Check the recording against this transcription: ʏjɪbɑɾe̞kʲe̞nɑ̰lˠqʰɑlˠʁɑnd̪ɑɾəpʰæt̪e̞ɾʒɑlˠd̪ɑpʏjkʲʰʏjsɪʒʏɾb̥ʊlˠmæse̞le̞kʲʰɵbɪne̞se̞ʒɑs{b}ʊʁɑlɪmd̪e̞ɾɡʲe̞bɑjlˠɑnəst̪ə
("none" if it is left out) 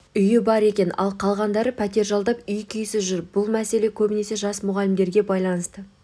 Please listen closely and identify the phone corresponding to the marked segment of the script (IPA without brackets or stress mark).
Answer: m